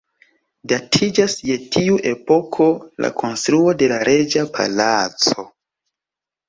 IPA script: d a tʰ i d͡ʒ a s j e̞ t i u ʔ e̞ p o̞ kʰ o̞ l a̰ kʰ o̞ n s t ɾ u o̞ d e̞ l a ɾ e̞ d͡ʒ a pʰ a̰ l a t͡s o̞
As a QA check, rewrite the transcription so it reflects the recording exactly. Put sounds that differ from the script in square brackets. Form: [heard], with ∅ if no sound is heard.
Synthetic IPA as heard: d a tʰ i d͡ʒ a s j e̞ t i u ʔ e̞ p o̞ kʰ o̞ l a̰ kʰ o̞ n s t ɾ u o̞ d e̞ l a ɾ e̞ d͡ʒ a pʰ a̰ l a t͡s o̞